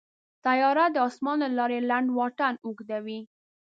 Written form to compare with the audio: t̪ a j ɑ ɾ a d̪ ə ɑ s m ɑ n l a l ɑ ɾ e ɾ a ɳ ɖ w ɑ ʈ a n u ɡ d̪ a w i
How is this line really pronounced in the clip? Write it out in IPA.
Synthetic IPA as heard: t̪ a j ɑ ɾ a d̪ ə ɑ s m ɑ n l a l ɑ ɾ e l a ɳ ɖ w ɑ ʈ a n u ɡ d̪ a w i